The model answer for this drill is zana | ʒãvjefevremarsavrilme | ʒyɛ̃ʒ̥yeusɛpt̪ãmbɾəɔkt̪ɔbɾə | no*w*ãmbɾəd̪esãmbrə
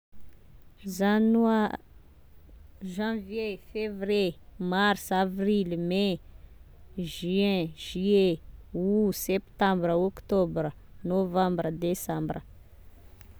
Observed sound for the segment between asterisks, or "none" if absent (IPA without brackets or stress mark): v